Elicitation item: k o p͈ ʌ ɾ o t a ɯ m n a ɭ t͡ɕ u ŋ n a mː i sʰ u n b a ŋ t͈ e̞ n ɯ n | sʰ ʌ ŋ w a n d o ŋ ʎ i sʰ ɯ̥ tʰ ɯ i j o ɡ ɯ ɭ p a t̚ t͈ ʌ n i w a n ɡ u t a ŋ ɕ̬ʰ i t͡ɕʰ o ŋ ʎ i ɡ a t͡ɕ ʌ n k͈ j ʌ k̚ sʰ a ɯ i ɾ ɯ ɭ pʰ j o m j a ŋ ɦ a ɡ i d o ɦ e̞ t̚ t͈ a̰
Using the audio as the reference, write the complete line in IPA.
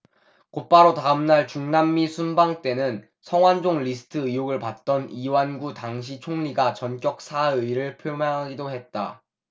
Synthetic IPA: k o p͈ a ɾ o t a ɯ m n a ɭ t͡ɕ u ŋ n a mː i sʰ u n b a ŋ t͈ e̞ n ɯ n | sʰ ʌ ŋ w a n d͡ʑ o ŋ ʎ i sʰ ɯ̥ tʰ ɯ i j o ɡ ɯ ɭ p a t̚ t͈ ʌ n i w a n ɡ u t a ŋ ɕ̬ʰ i t͡ɕʰ o ŋ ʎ i ɡ a t͡ɕ ʌ n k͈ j ʌ k̚ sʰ a ɯ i ɾ ɯ ɭ pʰ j o m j a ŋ ɦ a ɡ i d o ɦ e̞ t̚ t͈ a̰